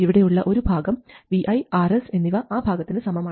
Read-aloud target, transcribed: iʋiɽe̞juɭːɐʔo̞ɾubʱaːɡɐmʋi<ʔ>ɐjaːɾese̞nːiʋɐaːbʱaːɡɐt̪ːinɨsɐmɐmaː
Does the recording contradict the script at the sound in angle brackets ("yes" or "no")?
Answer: no